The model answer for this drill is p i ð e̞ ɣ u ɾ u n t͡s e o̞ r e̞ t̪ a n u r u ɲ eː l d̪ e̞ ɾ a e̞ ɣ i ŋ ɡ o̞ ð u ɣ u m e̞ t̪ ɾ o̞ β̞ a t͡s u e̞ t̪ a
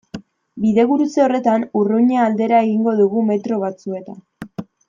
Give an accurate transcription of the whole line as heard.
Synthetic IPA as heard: b i ð e̞ ɣ u ɾ u t͡s e o̞ r e̞ t̪ a n u r u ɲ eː l d̪ e̞ ɾ a e̞ ɣ i ŋ ɡ o̞ ð u ɣ u m e̞ t̪ ɾ o̞ β̞ a t͡s u e̞ t̪ a